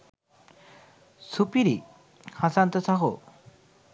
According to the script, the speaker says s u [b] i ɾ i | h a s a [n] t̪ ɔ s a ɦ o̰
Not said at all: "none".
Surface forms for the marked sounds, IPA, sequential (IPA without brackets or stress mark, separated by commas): p, n